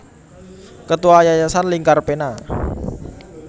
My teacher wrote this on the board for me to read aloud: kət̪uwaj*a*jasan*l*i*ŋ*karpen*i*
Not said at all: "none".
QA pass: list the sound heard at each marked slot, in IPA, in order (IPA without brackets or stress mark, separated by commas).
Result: a, l, ŋ, a